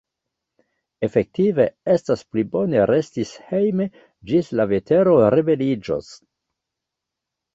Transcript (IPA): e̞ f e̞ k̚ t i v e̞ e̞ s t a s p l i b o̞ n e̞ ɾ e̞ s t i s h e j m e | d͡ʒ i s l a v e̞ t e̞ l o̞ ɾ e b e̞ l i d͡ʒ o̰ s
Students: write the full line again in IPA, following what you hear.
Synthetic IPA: e̞ f e̞ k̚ t i v e̞ e̞ s t a s p l i b o̞ n e̞ ɾ e̞ s t i s h e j m e | d͡ʒ i s l a v e̞ t e̞ ɾ o̞ ɾ e b e̞ l i d͡ʒ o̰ s